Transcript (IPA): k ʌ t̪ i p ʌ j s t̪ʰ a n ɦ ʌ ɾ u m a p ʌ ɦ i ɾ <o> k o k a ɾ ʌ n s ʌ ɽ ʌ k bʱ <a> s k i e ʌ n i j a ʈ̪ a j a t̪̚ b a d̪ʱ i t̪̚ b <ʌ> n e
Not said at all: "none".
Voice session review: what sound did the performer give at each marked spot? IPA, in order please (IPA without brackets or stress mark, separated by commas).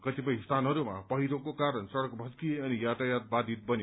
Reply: o, ʌ, ʌ